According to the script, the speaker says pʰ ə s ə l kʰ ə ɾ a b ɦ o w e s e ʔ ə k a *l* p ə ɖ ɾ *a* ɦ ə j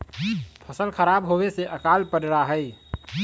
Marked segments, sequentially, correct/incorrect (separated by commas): correct, correct